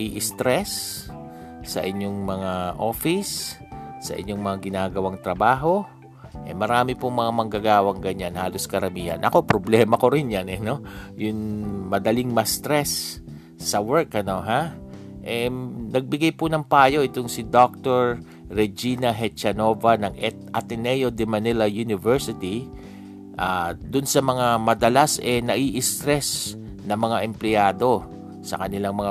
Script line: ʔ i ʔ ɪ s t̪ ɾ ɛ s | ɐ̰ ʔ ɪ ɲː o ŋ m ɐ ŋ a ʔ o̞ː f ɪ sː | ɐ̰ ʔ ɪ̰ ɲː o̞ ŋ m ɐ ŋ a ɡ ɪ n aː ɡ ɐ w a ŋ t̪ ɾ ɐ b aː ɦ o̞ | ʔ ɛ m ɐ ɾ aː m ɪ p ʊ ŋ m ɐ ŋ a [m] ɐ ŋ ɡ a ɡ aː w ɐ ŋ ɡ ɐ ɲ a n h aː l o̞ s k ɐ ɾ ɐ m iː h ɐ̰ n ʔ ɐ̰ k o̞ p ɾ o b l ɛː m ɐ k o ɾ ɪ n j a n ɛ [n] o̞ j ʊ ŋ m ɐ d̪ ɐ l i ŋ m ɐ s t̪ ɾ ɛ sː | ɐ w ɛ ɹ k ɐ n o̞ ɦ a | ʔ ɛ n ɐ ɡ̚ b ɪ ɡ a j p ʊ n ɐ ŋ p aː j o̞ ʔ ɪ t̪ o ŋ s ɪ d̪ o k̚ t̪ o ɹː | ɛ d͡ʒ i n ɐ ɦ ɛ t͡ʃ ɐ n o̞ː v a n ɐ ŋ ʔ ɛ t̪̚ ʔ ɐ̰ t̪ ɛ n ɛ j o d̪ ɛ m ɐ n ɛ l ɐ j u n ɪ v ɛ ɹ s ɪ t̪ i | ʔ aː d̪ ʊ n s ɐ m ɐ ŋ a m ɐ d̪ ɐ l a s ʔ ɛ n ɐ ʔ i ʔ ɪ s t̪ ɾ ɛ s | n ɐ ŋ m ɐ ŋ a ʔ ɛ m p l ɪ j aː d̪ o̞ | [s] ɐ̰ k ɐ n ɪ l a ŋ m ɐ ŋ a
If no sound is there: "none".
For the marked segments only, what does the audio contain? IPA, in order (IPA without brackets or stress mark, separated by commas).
m, n, s